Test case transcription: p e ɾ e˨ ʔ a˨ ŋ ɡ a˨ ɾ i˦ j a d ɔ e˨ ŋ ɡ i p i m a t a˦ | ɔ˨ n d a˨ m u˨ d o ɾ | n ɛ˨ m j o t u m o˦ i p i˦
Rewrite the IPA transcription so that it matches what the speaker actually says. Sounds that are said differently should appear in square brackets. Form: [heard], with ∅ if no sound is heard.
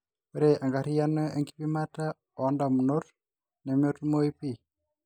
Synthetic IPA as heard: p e ɾ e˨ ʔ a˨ ŋ ɡ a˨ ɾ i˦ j a [n] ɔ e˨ ŋ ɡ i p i m a t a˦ | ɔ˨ n d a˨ m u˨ [n] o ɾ | n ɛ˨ m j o t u m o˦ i p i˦